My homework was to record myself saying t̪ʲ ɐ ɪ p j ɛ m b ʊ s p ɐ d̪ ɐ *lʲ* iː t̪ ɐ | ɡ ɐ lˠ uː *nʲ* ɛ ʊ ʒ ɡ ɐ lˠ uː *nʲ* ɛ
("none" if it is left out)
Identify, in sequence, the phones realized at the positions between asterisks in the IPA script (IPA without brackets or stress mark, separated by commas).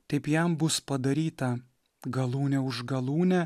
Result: ɾʲ, nʲ, nʲ